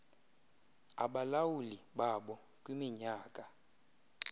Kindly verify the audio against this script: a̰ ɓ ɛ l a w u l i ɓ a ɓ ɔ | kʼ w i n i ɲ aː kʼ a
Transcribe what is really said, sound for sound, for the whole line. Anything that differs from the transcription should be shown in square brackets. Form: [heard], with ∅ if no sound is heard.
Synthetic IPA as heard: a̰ ɓ [a] l a w u l i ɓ a ɓ ɔ | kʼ w i [m] i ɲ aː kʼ a